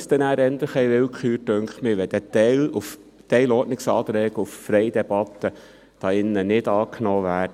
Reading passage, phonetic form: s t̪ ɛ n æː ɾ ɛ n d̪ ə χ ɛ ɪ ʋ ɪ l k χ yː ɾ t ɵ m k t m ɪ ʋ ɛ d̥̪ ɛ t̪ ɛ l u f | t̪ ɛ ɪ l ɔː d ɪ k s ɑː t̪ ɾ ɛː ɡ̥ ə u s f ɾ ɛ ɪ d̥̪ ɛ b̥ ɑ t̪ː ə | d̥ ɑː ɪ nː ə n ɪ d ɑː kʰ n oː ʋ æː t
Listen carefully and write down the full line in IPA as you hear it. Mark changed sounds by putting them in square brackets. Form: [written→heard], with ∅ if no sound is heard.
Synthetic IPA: s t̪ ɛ n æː ɾ ɛ n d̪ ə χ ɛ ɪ ʋ ɪ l k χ yː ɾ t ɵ [m→ŋ] k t m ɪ ʋ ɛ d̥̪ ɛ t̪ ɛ l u f | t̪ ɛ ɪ l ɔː [d→n] ɪ k s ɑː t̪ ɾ ɛː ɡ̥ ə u [s→f] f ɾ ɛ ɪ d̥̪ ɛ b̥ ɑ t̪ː ə | d̥ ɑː ɪ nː ə n ɪ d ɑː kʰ n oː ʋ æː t

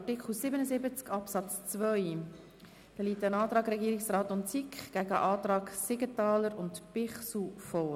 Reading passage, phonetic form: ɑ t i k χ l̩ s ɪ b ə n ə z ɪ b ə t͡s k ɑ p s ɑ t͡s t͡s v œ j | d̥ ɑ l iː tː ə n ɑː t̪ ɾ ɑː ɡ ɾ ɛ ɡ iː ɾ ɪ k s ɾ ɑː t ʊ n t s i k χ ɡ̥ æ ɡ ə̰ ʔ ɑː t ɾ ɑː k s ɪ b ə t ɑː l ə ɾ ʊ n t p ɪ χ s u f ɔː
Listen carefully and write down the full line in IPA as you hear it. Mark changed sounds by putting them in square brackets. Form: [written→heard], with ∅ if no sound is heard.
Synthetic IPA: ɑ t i k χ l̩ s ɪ b ə n ə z ɪ b ə t͡s k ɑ p s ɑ t͡s t͡s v œ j | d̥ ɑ l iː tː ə n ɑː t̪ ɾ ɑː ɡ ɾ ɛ ɡ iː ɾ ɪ k s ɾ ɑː t ʊ n t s i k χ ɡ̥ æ ɡ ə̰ ʔ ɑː t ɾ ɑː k s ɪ [b→ɡ] ə t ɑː l ə ɾ ʊ n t p ɪ χ s u f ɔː

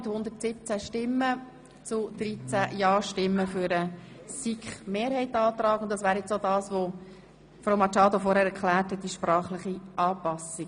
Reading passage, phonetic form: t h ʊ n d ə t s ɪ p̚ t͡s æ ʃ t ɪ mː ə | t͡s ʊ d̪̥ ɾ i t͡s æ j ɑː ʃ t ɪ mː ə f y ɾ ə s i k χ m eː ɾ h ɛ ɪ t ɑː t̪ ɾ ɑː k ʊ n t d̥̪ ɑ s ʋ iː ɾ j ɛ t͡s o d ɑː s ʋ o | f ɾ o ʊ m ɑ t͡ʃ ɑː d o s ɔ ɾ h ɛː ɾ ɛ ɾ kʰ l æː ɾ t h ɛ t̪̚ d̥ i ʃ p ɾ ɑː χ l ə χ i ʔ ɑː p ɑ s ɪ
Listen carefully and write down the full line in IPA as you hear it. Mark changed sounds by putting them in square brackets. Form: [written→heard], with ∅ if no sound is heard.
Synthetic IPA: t h ʊ n d ə t s ɪ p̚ t͡s æ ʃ t ɪ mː ə | t͡s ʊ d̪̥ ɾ i t͡s æ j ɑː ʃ t ɪ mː ə f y ɾ ə s i k χ m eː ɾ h ɛ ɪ t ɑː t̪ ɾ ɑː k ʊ n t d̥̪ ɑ s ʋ [iː→æː] ɾ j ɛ t͡s o d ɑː s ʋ o | f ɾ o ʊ m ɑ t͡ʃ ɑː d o [s→f] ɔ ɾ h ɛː ɾ ɛ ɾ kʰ l æː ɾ t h ɛ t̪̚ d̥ i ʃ p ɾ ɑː χ l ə χ i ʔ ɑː p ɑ s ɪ

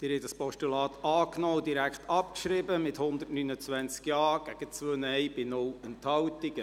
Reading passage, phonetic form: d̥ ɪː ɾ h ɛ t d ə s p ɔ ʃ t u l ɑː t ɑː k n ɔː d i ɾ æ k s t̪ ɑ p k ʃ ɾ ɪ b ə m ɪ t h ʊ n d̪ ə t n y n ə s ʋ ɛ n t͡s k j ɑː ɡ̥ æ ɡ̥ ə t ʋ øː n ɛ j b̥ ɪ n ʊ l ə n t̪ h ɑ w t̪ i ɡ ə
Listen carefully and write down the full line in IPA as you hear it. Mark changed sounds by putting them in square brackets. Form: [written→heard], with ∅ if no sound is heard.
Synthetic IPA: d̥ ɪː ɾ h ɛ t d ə s p ɔ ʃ t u l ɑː t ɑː k n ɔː d i ɾ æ k [s→χ] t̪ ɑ p k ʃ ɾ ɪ b ə m ɪ t h ʊ n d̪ ə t n y n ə [s→t͡s] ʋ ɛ n t͡s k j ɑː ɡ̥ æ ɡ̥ ə [t→t͡s] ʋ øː n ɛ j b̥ ɪ n ʊ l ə n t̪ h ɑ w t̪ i ɡ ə

